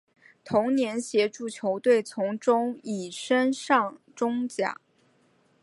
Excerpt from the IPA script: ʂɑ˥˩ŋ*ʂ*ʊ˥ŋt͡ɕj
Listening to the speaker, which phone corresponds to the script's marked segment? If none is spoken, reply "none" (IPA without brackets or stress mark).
ʈ͡ʂ